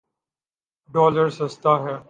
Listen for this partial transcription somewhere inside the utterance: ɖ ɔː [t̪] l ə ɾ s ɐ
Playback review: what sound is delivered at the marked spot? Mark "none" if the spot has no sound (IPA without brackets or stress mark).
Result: none